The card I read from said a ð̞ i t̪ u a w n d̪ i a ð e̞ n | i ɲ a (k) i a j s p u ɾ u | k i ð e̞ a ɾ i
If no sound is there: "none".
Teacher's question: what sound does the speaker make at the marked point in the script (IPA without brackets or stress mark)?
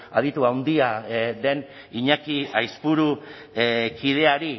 k